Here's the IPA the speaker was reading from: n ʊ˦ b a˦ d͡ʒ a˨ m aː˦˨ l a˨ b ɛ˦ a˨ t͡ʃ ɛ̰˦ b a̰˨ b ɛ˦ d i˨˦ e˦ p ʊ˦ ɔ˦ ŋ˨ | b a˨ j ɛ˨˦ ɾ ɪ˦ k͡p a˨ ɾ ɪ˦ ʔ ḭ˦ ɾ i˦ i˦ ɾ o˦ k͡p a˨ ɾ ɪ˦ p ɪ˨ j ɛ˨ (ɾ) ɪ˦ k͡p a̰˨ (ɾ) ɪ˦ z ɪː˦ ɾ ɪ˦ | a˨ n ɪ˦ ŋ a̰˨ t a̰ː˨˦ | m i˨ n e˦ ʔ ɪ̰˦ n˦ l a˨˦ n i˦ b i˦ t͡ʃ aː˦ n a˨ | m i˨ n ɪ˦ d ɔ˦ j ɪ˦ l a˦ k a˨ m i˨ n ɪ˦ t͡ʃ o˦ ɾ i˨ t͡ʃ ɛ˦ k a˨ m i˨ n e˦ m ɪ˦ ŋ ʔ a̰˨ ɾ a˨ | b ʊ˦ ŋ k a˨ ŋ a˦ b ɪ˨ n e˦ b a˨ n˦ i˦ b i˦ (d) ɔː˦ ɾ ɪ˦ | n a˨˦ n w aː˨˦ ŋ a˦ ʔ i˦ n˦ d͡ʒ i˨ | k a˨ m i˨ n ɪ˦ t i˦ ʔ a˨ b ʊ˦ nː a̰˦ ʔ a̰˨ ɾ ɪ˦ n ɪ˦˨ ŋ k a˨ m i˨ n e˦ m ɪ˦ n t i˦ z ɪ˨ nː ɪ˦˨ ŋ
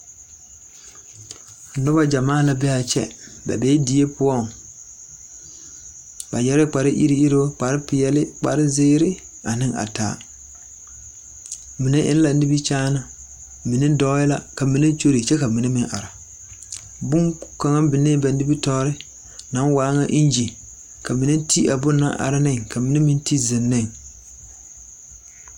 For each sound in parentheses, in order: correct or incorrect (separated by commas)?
incorrect, correct, incorrect